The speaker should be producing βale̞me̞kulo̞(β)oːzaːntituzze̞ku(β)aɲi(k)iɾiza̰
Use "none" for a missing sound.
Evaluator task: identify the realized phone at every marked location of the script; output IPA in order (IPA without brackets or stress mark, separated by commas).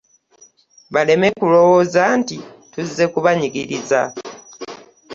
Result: w, β, ɡ